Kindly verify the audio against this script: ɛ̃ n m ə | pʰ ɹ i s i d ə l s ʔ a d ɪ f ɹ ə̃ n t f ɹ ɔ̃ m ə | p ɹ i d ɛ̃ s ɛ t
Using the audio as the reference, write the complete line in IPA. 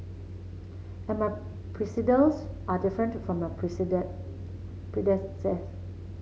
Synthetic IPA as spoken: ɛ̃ n m a | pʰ ɹ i s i d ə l s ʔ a d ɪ f ɹ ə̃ n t f ɹ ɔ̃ m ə | p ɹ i d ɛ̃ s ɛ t